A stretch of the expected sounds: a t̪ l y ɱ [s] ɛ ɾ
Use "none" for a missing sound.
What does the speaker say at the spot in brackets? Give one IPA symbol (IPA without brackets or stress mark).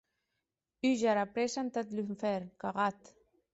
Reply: f